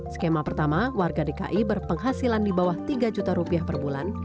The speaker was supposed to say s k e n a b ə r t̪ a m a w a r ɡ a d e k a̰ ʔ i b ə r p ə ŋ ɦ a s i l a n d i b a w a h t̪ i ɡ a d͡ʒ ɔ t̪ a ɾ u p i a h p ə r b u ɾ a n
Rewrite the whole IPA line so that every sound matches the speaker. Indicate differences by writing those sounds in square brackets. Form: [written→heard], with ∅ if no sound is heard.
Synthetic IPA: s k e [n→m] a [b→p] ə r t̪ a m a w a r ɡ a d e k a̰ ʔ i b ə r p ə ŋ ɦ a s i l a n d i b a w a h t̪ i ɡ a d͡ʒ [ɔ→u] t̪ a ɾ u p i a h p ə r b u [ɾ→l] a n